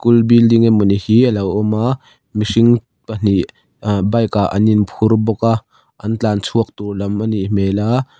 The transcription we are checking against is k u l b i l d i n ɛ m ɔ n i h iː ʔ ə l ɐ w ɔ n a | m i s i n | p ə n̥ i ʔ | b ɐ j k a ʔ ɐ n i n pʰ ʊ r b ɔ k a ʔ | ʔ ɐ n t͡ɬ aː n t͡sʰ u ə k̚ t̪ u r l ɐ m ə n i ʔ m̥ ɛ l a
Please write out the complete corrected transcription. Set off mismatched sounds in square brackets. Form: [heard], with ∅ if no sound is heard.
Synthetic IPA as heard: k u l b i l d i [ŋ] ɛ m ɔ n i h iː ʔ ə l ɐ w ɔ [m] a | m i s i [ŋ] | p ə n̥ i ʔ | b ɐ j k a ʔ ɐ n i n pʰ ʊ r b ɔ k a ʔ | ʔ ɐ n t͡ɬ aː n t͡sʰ u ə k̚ t̪ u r l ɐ m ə n i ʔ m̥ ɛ l a

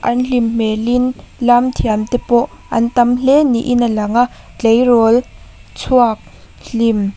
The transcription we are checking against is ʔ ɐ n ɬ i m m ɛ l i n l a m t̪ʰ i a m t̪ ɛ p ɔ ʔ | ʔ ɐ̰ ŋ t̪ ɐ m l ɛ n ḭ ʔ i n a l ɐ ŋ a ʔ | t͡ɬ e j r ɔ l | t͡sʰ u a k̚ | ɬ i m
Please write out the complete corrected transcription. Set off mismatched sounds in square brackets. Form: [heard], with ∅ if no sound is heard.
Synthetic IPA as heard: ʔ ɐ n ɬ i m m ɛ l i n l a m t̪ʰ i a m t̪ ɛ p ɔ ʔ | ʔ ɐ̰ [n] t̪ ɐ m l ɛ n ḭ ʔ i n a l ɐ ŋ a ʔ | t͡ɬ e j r ɔ l | t͡sʰ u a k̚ | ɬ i m

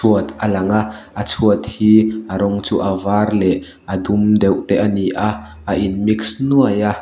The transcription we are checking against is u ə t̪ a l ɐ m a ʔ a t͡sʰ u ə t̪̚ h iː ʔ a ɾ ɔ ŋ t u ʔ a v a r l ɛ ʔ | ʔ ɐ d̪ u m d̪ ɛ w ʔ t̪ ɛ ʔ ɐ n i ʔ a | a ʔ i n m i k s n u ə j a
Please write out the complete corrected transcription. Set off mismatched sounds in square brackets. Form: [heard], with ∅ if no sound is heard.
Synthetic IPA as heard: u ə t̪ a l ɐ [ŋ] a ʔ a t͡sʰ u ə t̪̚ h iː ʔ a ɾ ɔ ŋ [t͡s] u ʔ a v a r l ɛ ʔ | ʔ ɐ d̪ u m d̪ ɛ w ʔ t̪ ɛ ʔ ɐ n i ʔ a | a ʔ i n m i k s n u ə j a

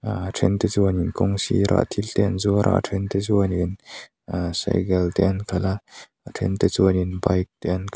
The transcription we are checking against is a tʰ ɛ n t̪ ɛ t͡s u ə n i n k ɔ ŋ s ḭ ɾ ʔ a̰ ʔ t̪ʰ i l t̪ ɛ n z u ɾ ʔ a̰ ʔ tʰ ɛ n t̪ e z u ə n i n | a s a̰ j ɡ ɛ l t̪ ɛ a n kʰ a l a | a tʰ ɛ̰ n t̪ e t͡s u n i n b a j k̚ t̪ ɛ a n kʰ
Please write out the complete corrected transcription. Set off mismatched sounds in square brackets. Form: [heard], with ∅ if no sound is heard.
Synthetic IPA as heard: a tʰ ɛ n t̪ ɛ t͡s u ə n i n k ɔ ŋ s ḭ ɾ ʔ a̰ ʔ t̪ʰ i l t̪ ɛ n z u ɾ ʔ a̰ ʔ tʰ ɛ n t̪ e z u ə n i n | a s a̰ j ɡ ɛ l t̪ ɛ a n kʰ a l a | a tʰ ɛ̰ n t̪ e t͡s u n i n b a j k̚ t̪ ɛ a n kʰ

